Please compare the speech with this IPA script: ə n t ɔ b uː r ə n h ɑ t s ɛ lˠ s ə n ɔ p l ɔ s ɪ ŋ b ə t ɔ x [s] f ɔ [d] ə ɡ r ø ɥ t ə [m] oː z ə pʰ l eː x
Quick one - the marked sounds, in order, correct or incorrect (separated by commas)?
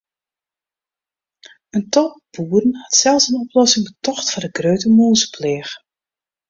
incorrect, correct, correct